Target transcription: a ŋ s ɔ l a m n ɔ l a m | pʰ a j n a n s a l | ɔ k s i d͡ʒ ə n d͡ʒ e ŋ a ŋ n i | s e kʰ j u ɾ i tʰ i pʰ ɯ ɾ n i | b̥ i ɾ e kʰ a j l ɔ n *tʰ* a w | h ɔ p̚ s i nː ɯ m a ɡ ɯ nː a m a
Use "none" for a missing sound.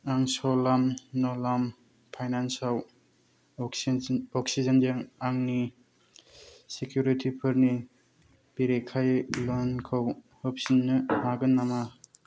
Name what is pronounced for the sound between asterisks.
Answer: kʰ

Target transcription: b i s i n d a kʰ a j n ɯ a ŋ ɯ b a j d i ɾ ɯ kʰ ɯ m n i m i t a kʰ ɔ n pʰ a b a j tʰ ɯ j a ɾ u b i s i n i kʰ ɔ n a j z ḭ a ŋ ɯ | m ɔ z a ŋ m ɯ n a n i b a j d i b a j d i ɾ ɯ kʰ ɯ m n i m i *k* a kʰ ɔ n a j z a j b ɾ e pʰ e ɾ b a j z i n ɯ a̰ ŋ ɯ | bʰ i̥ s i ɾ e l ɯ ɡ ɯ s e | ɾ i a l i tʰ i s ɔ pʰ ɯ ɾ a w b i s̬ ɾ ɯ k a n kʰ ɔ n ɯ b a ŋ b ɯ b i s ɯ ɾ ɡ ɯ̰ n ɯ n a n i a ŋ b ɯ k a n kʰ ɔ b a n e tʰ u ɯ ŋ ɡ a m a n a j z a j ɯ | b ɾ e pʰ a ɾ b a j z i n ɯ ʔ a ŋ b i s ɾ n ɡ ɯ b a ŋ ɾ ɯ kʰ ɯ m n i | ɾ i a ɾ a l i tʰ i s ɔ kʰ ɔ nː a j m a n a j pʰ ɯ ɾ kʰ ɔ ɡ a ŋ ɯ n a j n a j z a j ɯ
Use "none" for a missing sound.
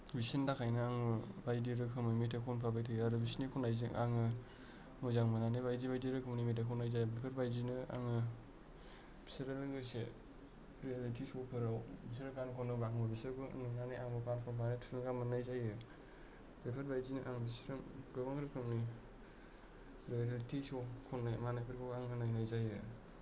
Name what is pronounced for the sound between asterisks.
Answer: t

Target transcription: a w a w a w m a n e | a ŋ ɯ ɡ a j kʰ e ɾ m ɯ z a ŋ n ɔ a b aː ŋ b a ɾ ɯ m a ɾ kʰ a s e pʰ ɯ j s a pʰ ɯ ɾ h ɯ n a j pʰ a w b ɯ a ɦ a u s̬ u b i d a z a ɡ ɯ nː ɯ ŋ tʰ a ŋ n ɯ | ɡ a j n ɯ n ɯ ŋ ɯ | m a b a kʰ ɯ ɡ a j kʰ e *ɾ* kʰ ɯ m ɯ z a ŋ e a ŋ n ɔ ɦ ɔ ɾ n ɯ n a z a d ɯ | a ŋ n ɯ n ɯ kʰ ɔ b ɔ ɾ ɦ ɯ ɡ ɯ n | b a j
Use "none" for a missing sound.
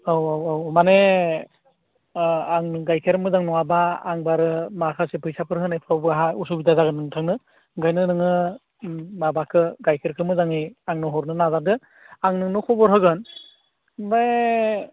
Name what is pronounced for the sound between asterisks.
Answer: ɾ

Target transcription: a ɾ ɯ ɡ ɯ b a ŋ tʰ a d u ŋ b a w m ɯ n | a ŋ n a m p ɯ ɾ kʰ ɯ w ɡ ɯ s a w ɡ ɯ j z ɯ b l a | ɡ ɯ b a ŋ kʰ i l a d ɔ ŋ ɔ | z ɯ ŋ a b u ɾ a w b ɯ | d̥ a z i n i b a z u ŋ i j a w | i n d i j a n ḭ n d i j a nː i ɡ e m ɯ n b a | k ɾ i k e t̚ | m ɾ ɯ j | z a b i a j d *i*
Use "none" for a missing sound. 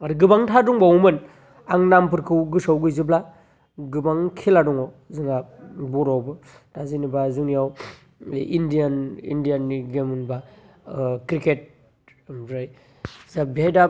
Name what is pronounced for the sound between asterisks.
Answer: a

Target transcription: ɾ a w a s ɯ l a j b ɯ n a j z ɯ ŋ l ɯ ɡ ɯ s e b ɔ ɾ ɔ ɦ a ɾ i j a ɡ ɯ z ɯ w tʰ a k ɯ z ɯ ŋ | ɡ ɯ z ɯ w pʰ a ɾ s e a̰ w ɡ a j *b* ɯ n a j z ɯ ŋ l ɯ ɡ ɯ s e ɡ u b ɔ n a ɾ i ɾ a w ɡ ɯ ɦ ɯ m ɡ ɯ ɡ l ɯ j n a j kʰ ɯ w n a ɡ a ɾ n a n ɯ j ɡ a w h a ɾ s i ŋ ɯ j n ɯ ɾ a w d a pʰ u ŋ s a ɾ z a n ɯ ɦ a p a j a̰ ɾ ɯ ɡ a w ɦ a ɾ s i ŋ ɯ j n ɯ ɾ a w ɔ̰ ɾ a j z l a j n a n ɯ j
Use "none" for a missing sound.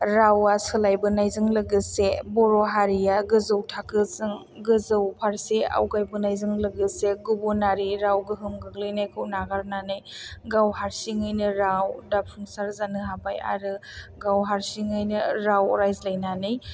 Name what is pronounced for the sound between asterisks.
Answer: b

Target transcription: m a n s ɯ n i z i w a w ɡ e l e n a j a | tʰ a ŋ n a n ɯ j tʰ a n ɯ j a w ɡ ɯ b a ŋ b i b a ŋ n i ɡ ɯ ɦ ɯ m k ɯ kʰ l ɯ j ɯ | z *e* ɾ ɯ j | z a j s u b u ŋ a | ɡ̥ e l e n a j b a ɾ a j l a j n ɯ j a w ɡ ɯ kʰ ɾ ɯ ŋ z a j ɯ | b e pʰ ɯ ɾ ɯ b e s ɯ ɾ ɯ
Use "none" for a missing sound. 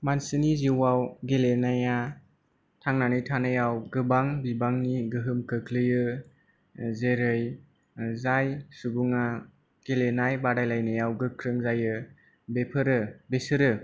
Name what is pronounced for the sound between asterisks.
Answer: e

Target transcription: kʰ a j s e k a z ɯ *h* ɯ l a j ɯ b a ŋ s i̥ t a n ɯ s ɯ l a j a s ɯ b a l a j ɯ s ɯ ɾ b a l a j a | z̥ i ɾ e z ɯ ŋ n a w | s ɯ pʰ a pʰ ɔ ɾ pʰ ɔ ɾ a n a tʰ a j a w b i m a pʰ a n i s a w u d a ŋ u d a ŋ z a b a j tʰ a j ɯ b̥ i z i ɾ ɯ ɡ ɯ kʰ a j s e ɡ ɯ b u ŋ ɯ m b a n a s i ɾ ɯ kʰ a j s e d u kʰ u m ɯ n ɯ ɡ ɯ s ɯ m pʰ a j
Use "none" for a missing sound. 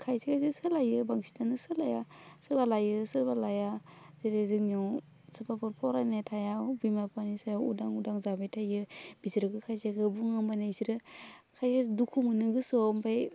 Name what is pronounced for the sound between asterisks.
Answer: s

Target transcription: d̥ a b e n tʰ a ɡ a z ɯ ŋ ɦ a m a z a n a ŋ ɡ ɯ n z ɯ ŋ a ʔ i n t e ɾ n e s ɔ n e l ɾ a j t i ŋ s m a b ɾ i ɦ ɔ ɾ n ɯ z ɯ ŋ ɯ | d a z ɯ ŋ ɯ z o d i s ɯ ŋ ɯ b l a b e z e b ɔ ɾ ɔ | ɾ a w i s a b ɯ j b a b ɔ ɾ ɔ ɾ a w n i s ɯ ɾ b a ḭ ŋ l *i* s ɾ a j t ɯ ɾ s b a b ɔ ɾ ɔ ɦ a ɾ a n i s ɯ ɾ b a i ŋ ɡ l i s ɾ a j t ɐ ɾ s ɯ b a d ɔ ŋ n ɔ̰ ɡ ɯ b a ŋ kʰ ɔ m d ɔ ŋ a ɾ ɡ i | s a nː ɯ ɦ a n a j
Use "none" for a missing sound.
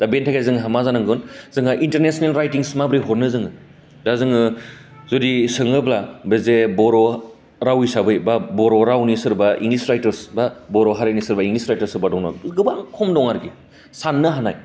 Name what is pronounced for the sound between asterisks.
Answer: i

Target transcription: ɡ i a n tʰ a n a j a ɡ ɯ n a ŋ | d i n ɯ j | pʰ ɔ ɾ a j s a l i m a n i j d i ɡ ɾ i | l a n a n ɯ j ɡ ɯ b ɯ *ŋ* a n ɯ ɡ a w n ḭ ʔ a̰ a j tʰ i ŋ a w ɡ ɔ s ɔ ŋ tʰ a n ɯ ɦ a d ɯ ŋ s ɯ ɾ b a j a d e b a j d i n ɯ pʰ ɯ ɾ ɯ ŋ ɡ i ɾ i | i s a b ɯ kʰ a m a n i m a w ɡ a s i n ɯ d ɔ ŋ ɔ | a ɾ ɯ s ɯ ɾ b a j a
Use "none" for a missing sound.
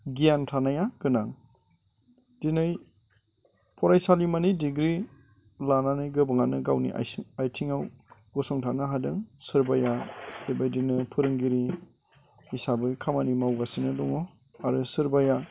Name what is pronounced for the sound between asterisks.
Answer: ŋ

